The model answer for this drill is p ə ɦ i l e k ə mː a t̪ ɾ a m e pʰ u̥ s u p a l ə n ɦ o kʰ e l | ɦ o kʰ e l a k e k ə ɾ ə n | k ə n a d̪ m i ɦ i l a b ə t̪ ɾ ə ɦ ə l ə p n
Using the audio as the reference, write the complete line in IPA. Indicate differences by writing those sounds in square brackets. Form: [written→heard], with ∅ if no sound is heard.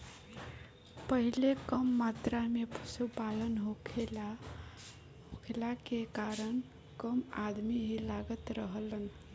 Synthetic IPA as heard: p ə ɦ i l e k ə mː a t̪ ɾ a m e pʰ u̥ s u p a l ə n ɦ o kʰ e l | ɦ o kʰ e l a k e k [ə→a] ɾ ə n | k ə [n→m] a d̪ m i ɦ i l a [b→ɡ] ə t̪ ɾ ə ɦ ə l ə [p→∅] n